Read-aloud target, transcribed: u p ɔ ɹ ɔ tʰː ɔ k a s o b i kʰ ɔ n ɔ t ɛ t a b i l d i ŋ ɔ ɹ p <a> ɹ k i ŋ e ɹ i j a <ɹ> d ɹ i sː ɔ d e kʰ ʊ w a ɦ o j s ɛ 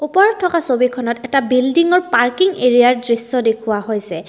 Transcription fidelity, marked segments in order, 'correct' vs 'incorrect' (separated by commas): correct, correct